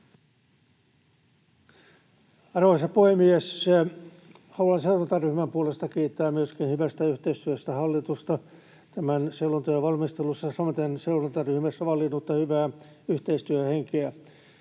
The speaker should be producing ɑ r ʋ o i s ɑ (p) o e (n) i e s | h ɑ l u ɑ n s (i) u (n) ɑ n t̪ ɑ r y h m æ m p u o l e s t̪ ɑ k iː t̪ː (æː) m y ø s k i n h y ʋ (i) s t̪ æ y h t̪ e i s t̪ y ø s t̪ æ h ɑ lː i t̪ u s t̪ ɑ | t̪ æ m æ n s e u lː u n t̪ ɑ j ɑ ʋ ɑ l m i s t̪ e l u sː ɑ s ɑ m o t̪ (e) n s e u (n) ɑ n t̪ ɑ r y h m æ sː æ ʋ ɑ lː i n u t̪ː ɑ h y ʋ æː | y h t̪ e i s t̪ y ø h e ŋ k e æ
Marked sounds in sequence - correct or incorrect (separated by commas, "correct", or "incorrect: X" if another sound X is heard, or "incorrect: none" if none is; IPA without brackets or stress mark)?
correct, incorrect: m, incorrect: e, correct, correct, incorrect: æ, correct, correct